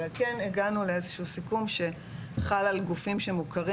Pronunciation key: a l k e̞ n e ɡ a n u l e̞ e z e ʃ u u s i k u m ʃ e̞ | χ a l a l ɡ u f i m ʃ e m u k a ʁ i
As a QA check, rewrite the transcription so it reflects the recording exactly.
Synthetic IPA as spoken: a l k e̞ n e ɡ a n u l e̞ e z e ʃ u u s i k u m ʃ e̞ | χ a l a l ɡ u f i m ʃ e m u k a ʁ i